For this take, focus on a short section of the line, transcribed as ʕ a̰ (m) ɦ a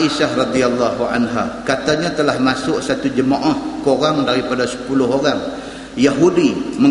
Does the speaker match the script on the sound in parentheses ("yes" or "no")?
no